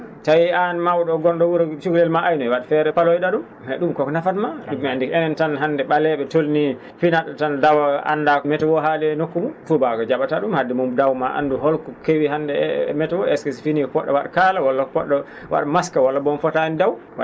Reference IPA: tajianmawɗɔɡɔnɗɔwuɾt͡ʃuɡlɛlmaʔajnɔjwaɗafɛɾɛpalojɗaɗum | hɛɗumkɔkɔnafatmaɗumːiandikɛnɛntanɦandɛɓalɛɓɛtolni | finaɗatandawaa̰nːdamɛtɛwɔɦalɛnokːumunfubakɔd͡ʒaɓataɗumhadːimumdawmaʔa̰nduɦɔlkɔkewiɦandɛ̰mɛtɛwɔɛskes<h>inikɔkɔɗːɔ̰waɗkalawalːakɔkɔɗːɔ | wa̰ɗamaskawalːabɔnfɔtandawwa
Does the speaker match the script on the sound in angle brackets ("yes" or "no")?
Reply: no